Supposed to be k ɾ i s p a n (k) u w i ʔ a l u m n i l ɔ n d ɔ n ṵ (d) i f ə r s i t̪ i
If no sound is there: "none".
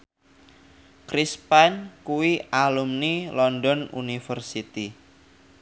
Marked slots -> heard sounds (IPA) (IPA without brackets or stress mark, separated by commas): k, n